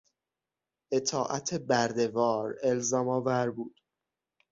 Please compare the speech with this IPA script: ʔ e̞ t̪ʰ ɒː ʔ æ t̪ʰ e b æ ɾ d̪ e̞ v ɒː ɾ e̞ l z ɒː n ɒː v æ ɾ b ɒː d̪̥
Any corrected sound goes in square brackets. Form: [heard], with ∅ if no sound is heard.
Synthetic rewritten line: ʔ e̞ t̪ʰ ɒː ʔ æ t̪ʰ e b æ ɾ d̪ e̞ v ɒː ɾ e̞ l z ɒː [m] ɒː v æ ɾ b [uː] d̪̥